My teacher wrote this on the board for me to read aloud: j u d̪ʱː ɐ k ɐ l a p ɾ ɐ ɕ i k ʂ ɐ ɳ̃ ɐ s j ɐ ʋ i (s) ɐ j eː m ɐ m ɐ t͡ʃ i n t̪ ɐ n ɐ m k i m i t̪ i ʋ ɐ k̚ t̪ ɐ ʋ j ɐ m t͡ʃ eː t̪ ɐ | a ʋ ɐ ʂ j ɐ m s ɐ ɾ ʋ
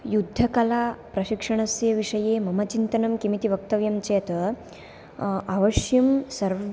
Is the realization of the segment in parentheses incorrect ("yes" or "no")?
yes